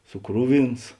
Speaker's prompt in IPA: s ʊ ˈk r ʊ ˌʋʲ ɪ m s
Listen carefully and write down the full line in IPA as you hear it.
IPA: s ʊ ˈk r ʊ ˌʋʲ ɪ n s